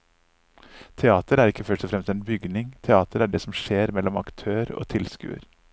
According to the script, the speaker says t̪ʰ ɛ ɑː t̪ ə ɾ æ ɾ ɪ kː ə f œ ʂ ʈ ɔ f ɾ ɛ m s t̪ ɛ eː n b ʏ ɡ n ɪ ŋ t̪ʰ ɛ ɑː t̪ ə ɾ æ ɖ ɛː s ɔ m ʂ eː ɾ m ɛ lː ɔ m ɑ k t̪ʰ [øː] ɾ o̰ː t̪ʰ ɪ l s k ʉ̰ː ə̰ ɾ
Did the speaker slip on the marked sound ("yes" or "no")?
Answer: no